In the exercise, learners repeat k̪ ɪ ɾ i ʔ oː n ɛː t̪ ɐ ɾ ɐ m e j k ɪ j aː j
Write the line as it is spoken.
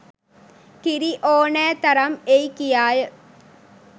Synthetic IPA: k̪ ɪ ɾ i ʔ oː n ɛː t̪ ɐ ɾ ɐ m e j k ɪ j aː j